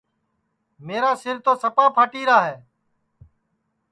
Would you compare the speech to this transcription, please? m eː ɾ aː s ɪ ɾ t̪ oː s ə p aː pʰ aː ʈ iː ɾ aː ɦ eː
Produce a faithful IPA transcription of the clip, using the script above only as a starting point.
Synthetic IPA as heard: m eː ɾ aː s ɪ ɾ t̪ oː s ə p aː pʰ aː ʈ iː ɾ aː ɦ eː